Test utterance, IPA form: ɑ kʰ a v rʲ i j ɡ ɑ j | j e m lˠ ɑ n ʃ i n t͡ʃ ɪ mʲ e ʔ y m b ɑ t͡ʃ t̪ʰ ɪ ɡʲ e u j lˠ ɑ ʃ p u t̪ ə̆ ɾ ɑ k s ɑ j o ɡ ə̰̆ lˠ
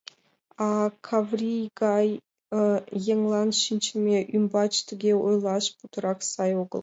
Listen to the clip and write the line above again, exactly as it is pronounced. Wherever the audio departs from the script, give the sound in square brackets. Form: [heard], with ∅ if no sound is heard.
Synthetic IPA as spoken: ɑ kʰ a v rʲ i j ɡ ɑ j | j e [ŋ] lˠ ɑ n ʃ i n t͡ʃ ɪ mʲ e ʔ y m b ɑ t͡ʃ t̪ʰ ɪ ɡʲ e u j lˠ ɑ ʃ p u t̪ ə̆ ɾ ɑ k s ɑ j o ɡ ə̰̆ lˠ

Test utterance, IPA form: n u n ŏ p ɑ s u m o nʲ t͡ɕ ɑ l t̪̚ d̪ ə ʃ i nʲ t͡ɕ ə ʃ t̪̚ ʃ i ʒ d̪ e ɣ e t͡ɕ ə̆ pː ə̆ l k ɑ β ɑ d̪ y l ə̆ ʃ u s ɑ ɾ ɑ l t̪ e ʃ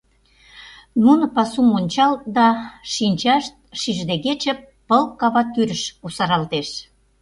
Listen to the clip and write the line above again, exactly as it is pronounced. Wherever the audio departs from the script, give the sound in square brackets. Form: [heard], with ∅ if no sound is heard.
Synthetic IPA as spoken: n u n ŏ p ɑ s u m o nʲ t͡ɕ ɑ l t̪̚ d̪ [ɑ] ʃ i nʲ t͡ɕ [ɑ] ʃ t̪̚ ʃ i ʒ d̪ e ɣ e t͡ɕ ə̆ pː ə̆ l k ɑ β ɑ [t̪] y [ɾ] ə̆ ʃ u s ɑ ɾ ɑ l t̪ e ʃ

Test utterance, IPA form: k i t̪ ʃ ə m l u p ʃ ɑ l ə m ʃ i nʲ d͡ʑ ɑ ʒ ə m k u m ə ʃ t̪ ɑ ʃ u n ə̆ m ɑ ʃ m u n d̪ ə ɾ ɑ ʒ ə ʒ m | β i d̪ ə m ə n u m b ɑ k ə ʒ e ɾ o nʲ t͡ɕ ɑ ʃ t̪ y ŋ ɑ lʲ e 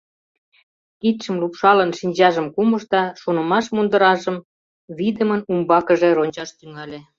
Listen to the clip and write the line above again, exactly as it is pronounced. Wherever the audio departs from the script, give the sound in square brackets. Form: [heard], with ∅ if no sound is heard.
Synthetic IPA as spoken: k i t̪ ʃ ə m l u p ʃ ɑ l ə [n] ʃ i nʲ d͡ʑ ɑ ʒ ə m k u m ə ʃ t̪ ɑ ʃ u n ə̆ m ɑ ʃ m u n d̪ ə ɾ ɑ ʒ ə [∅] m | β i d̪ ə m ə n u m b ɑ k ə ʒ e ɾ o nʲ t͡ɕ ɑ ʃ t̪ y ŋ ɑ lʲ e

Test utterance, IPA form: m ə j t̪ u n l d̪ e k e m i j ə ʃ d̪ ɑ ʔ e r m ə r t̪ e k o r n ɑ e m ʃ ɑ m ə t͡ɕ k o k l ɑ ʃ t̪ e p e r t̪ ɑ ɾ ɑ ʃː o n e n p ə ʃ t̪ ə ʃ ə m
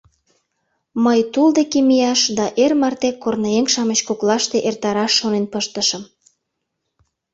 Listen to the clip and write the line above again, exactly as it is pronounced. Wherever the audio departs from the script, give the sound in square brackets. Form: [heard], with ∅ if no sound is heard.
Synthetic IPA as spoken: m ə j t̪ u [∅] l d̪ e k e m i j [ɑ] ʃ d̪ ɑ ʔ e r m [ɑ] r t̪ e k o r n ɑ e [ŋ] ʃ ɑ m ə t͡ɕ k o k l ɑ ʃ t̪ e [ʔ] e r t̪ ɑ ɾ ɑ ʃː o n e n p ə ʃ t̪ ə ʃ ə m

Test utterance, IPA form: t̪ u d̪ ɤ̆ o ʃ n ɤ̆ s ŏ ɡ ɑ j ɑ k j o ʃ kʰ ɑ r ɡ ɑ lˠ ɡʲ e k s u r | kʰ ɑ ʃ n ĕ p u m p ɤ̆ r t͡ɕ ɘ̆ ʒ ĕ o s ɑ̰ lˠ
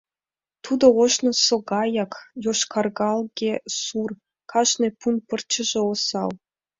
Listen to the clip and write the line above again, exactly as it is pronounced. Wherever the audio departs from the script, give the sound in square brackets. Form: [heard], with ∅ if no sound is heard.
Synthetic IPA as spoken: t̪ u d̪ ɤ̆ o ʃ n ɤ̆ s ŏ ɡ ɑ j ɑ k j o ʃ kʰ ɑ r ɡ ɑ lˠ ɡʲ e [∅] s u r | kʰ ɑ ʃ n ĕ p u [n] p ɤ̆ r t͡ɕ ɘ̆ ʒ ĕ o s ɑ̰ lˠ

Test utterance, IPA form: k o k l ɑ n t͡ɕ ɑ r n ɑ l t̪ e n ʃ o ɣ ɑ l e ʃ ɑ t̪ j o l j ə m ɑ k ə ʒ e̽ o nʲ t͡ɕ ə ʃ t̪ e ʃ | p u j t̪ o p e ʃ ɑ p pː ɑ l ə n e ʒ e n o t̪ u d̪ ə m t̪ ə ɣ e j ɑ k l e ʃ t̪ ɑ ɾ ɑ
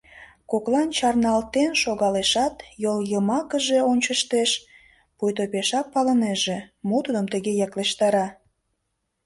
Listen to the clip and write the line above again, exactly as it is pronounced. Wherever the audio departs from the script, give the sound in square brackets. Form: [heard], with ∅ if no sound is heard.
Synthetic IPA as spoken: k o k l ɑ n t͡ɕ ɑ r n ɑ l t̪ e n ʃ o ɣ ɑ l e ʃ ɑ t̪ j o l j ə m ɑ k ə ʒ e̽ o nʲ t͡ɕ ə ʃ t̪ e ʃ | p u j t̪ o p e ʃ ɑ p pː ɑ l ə n e ʒ e [m] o t̪ u d̪ ə m t̪ ə ɣ e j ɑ k l e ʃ t̪ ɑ ɾ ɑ

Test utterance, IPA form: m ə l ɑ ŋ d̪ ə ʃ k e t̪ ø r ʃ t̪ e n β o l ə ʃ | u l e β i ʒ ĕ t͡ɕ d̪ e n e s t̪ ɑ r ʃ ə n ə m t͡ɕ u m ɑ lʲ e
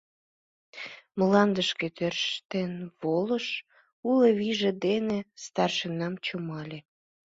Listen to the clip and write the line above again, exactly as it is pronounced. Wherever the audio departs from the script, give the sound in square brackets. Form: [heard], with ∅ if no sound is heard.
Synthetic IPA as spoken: m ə l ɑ [n] d̪ ə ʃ k e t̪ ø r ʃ t̪ e n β o l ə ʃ | u l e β i ʒ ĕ [∅] d̪ e n e s t̪ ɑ r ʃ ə n [ɑ] m t͡ɕ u m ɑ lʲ e

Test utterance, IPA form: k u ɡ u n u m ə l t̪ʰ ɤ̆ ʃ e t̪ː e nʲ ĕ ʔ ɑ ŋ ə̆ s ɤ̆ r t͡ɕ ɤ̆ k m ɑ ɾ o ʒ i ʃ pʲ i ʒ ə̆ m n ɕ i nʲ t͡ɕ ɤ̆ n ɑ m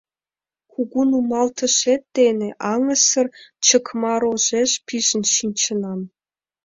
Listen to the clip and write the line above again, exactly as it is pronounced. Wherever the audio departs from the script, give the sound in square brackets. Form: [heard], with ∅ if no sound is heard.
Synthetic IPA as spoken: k u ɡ u n u m [ɑ] l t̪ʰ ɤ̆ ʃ e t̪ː e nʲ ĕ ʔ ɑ ŋ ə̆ s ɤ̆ r t͡ɕ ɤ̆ k m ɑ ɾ o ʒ [e] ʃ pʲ i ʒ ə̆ [∅] n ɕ i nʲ t͡ɕ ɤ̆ n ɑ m

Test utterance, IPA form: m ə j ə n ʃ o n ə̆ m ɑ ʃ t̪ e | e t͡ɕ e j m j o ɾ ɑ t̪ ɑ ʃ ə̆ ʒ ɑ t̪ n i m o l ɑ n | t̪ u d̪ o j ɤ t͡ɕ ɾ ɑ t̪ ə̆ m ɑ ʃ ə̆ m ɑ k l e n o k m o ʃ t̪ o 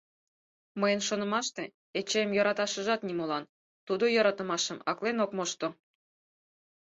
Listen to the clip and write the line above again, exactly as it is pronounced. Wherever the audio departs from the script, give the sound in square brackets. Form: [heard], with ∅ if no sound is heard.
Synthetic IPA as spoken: m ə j ə n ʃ o n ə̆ m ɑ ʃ t̪ e | e t͡ɕ e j m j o ɾ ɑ t̪ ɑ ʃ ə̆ ʒ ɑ t̪ n i m o l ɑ n | t̪ u d̪ o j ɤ [∅] ɾ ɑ t̪ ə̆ m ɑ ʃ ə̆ m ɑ k l e n o k m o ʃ t̪ o

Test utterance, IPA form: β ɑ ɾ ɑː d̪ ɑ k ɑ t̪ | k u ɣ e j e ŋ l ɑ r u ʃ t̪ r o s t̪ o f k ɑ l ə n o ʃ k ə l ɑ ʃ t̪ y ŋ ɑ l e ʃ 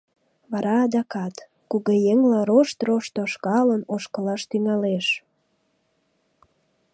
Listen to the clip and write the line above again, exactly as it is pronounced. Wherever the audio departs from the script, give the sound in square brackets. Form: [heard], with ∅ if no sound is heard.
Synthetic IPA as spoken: β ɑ ɾ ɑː d̪ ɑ k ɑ t̪ | k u ɣ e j e ŋ l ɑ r [o] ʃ t̪ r o [ʃ] t̪ o [ʃ] k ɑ l ə n o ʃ k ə l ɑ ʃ t̪ y ŋ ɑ l e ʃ

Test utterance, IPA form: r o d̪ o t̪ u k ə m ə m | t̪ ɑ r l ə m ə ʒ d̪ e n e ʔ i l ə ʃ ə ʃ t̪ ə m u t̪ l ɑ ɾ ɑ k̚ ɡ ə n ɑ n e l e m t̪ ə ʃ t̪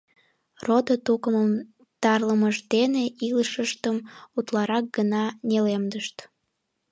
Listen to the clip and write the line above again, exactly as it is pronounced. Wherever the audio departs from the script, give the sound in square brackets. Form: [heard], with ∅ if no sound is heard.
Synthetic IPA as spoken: r o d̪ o t̪ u k ə m ə m | t̪ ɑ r l ə m ə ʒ d̪ e n e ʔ i l ə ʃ ə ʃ t̪ ə m u t̪ l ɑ ɾ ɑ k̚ ɡ ə n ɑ n e l e m [d̪] ə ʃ t̪

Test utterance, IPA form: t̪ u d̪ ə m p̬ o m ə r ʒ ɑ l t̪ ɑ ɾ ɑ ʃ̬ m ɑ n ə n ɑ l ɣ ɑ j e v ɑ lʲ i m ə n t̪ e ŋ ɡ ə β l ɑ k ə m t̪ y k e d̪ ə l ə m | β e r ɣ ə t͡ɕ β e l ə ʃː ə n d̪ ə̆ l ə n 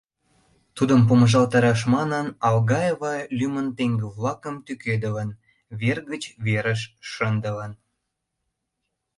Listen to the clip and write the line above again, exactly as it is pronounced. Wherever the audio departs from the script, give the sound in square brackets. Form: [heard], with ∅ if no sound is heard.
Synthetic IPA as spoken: t̪ u d̪ ə m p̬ o m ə [∅] ʒ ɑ l t̪ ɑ ɾ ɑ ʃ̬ m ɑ n ə n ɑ l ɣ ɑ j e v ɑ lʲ [y] m ə n t̪ e ŋ ɡ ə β l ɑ k ə m t̪ y k e d̪ ə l ə [n] | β e r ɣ ə t͡ɕ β e [ɾ] ə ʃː ə n d̪ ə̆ l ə n

